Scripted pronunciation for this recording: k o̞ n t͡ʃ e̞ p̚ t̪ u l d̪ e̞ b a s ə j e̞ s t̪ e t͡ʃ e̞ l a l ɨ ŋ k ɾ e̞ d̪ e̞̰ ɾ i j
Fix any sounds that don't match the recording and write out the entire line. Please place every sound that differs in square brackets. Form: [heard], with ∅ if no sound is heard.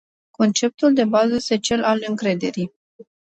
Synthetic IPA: k o̞ n t͡ʃ e̞ p̚ t̪ u l d̪ e̞ b a [z] ə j e̞ s t̪ e t͡ʃ e̞ l a l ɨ ŋ k ɾ e̞ d̪ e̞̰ ɾ i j